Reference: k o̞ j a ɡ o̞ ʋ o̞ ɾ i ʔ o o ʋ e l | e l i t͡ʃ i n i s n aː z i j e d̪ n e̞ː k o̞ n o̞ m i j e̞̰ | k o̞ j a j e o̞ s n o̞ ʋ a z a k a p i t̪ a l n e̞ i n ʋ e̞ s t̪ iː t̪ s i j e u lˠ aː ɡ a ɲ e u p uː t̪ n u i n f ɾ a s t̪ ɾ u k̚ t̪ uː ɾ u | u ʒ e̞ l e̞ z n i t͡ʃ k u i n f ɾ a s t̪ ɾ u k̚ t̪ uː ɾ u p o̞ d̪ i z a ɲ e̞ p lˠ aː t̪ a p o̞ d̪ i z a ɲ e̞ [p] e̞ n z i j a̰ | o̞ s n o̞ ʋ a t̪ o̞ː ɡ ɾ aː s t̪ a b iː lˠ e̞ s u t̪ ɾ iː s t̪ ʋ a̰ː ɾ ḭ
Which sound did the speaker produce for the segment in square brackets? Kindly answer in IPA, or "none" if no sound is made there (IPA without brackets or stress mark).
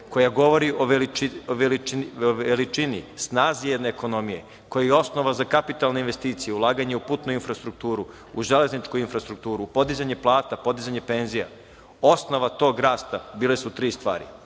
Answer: p